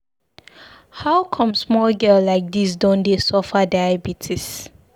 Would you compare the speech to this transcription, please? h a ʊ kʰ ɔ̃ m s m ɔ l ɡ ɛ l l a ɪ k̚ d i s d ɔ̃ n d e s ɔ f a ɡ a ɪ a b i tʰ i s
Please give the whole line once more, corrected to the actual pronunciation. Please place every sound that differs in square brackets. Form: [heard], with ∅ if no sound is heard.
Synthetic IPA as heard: h a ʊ kʰ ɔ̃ m s m ɔ l ɡ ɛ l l a ɪ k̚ d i s d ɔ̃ n d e s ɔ f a [d] a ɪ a b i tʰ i s